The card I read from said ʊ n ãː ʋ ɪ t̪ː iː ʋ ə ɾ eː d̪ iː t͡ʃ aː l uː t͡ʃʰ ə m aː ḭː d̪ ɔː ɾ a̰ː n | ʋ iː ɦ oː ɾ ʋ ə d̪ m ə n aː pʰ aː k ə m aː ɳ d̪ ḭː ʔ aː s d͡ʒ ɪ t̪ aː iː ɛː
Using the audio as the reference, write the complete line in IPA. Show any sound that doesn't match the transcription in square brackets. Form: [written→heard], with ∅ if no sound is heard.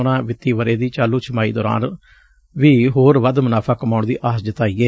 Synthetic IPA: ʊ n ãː ʋ ɪ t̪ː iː ʋ ə ɾ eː d̪ iː t͡ʃ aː l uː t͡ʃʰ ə m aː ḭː d̪ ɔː ɾ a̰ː n | ʋ iː ɦ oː ɾ ʋ ə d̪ m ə n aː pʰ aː k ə m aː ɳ d̪ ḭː ʔ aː s d͡ʒ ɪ t̪ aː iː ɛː